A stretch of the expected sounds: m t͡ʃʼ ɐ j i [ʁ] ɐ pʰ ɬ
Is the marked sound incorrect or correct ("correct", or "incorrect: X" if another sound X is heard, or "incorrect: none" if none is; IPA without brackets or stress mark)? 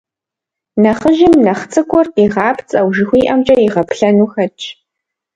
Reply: correct